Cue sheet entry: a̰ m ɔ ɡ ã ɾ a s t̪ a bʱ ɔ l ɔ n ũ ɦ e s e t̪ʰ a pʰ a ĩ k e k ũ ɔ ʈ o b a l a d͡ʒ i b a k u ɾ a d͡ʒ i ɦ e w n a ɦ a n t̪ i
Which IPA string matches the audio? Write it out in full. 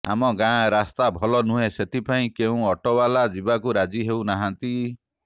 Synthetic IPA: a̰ m ɔ ɡ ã ɾ a s t̪ a bʱ ɔ l ɔ n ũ ɦ e s e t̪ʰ i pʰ a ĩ k e ũ ɔ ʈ ɔ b a l a d͡ʒ i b a k u ɾ a d͡ʒ i ɦ e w n a ɦ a n t̪ i